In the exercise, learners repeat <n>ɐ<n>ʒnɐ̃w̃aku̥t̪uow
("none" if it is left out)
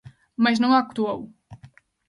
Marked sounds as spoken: m, none

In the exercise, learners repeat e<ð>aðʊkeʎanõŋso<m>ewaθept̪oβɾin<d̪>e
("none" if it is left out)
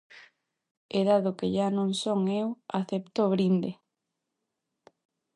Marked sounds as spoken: ð, ŋ, d̪

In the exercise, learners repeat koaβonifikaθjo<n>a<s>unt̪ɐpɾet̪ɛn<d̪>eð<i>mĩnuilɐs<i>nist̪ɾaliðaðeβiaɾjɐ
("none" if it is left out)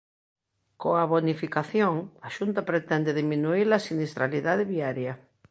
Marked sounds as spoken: ŋ, ʃ, d̪, i, i

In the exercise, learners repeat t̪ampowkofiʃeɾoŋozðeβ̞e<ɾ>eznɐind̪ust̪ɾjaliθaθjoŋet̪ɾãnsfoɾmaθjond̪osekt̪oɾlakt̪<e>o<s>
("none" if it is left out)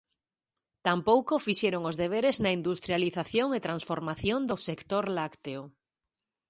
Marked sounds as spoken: ɾ, e, none

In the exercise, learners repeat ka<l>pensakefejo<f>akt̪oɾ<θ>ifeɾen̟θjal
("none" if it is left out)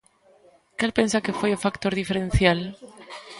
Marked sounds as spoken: l, f, ð

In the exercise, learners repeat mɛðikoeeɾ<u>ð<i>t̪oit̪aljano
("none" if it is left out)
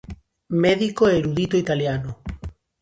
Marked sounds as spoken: u, i

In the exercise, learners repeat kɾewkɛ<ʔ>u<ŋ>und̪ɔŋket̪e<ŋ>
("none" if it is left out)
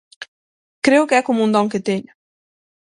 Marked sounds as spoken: k, m, ɲ

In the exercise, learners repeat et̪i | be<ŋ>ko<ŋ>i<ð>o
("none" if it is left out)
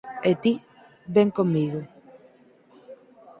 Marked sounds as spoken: ŋ, m, ɣ

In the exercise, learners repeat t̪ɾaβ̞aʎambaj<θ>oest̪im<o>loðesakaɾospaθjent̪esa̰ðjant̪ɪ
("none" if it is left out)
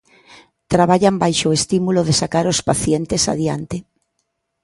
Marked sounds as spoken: ʃ, u

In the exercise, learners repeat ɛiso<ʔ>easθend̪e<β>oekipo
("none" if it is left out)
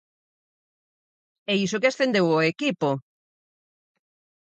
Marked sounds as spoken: k, w

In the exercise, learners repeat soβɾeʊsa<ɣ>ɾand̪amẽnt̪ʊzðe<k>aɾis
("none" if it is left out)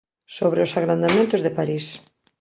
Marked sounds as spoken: ɣ, p

